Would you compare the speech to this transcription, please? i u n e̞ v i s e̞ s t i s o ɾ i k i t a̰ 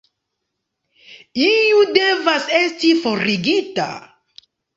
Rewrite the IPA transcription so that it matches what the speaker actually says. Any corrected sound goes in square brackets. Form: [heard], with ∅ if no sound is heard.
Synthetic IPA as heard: i u [d] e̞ v [a] s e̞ s t i [f] o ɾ i [ɡ] i t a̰